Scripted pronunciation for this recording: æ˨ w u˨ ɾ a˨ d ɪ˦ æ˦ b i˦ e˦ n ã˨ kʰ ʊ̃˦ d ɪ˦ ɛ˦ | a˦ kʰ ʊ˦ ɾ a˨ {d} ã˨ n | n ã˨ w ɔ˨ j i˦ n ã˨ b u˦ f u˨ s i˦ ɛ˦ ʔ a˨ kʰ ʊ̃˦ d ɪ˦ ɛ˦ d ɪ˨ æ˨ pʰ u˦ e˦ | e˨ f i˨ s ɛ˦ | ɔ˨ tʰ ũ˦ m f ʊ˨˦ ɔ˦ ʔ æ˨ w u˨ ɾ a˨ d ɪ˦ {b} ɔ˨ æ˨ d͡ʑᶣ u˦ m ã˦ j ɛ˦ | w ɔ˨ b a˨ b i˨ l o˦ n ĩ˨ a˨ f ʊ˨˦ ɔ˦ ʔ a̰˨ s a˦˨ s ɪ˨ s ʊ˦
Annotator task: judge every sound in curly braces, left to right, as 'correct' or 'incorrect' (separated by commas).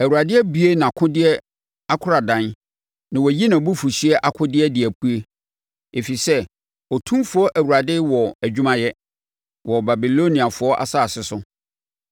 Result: correct, incorrect